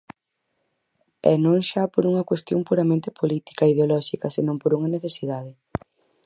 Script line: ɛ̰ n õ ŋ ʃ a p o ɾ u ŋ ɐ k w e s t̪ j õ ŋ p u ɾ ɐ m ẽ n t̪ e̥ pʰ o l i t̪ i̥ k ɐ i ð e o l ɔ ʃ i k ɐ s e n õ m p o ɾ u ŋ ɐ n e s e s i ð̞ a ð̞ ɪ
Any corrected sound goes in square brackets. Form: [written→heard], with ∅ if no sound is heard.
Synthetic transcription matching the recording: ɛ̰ n õ ŋ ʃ a p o ɾ u ŋ ɐ k w e s t̪ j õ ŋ p u ɾ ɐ m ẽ n t̪ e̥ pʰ o l i t̪ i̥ k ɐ i ð e o l ɔ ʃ i k ɐ s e n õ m p o ɾ u ŋ ɐ n e [s→θ] e s i ð̞ a ð̞ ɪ